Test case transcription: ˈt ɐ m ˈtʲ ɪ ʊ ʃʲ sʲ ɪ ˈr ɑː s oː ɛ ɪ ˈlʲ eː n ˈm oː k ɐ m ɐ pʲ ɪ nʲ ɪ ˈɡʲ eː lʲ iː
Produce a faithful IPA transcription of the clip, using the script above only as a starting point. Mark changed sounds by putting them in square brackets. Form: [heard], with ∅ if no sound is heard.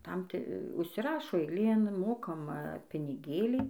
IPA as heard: ˈt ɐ m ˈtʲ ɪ ʊ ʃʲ sʲ ɪ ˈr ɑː [ʃ] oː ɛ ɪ ˈlʲ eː n ˈm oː k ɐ m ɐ pʲ ɪ nʲ ɪ ˈɡʲ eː lʲ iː